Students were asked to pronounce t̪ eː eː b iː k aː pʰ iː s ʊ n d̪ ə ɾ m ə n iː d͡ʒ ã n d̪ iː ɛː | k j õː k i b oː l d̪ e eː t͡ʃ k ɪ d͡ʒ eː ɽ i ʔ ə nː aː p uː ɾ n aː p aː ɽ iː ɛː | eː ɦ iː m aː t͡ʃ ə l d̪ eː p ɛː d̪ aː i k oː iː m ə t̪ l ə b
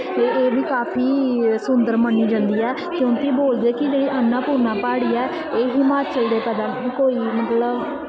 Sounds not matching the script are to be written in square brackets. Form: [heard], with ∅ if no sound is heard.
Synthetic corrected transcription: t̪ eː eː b iː k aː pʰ iː s ʊ n d̪ ə ɾ m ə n iː d͡ʒ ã n d̪ iː ɛː | k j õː k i b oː l d̪ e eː [∅] k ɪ d͡ʒ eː ɽ i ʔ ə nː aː p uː ɾ n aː p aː ɽ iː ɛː | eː ɦ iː m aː t͡ʃ ə l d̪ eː p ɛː d̪ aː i k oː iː m ə t̪ l ə b